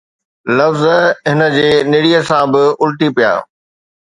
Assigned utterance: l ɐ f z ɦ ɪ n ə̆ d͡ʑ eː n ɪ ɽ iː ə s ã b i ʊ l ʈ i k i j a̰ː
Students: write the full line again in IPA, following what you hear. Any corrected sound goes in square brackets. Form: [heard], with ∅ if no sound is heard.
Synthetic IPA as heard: l ɐ f z ɦ ɪ n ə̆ d͡ʑ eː n ɪ ɽ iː ə s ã b [ɪ] ʊ l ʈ i [p] i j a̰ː